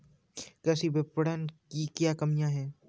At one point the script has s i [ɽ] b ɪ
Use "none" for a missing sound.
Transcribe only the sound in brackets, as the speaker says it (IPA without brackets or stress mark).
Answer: none